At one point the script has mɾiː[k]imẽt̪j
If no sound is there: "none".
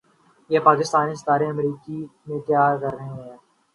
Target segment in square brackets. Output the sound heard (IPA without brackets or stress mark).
k